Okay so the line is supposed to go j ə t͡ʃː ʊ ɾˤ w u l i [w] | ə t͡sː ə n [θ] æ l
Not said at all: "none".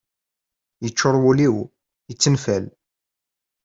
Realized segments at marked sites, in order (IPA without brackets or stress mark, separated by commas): w, f